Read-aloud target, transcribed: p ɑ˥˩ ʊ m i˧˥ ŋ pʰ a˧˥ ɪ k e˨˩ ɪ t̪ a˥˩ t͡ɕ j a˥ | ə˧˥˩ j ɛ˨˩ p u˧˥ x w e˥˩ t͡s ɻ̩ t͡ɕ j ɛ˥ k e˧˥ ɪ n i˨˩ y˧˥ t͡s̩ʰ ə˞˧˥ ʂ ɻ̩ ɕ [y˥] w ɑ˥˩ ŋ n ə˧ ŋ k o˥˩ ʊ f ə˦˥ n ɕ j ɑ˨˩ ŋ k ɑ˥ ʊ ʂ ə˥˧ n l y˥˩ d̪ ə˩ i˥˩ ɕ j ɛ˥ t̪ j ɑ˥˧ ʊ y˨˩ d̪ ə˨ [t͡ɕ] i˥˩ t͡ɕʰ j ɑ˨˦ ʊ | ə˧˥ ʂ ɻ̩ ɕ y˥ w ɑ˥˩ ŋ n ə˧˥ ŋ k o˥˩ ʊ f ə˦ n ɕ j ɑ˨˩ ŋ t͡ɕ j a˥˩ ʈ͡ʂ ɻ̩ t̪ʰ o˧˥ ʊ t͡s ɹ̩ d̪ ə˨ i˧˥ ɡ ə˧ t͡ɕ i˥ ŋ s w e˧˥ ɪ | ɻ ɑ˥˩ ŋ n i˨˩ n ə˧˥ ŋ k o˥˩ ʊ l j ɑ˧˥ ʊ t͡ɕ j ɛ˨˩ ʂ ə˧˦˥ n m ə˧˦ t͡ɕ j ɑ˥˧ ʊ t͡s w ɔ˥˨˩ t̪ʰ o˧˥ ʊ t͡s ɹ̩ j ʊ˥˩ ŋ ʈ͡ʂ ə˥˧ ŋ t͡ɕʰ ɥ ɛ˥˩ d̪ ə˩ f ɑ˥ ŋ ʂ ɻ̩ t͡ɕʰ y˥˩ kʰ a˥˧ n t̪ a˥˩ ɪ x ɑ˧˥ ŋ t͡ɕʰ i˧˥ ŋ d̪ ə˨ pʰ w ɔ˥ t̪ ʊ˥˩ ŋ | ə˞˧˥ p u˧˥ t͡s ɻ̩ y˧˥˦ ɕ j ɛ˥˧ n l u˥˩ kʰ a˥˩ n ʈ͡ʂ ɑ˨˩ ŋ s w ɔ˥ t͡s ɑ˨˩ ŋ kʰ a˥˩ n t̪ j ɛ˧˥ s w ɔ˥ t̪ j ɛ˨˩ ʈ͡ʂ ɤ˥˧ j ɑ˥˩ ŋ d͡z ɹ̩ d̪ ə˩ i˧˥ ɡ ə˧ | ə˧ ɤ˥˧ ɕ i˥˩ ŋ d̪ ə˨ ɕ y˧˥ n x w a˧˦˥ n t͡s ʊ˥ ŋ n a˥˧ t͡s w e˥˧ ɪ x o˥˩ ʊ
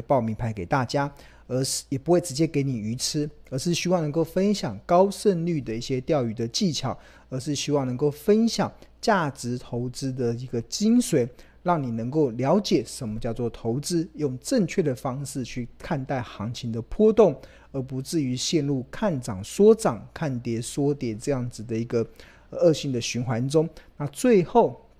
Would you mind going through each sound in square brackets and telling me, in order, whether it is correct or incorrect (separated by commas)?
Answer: correct, correct